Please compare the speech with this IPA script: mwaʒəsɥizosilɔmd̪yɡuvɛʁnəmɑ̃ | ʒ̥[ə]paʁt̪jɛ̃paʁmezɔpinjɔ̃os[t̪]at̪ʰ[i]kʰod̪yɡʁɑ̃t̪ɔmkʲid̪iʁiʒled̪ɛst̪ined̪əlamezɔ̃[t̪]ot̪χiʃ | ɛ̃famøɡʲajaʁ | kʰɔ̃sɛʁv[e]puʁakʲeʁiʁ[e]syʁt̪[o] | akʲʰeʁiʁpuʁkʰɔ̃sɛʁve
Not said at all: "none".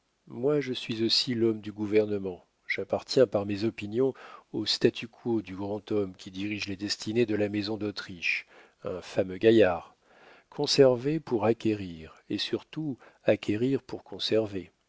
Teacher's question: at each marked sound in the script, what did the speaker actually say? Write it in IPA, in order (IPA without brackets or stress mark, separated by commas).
a, t̪, y, d̪, e, e, u